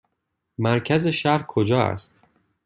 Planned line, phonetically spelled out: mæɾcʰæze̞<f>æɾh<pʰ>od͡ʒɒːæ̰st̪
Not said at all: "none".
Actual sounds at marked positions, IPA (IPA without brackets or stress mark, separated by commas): ʃ, kʰ